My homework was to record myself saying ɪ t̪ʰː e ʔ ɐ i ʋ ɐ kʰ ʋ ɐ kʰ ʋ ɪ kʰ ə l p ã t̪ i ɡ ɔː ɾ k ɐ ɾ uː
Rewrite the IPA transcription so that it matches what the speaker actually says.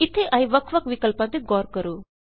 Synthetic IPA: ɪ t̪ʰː e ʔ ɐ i ʋ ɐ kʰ ʋ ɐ k ʋ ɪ k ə l p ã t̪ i ɡ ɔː ɾ k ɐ ɾ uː